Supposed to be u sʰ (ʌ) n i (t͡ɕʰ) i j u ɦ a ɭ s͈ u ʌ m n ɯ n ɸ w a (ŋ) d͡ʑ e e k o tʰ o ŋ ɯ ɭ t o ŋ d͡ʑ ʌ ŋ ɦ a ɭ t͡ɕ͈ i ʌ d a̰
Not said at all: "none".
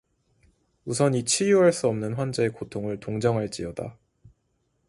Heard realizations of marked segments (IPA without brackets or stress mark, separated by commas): ʌ, t͡ɕʰ, n